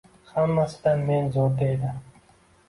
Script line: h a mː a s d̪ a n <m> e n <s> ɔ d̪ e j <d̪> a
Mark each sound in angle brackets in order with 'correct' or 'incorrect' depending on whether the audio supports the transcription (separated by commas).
correct, incorrect, correct